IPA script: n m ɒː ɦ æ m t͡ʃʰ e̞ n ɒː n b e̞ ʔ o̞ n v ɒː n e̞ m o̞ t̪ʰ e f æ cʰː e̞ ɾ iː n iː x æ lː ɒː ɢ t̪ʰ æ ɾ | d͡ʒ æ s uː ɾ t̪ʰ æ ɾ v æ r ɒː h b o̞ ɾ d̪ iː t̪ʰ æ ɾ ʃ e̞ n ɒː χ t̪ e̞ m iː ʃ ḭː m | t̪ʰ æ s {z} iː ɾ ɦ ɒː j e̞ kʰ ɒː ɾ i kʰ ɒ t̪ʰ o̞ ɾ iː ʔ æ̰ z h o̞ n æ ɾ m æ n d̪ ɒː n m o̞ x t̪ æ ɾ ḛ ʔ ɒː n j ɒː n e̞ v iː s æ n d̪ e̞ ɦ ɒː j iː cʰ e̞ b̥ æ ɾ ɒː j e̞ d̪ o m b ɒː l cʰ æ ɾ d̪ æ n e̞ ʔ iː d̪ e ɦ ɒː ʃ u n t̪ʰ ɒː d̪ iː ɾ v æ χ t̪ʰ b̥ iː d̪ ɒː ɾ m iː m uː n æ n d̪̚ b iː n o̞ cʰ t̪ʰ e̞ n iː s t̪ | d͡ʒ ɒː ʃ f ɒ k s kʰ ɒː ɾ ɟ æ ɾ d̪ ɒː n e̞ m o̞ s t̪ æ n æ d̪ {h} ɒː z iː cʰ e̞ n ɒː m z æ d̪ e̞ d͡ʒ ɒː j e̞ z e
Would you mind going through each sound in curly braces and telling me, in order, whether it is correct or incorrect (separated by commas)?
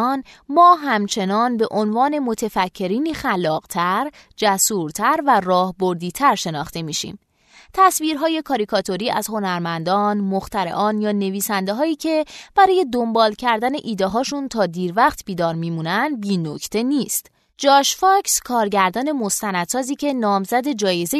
incorrect, incorrect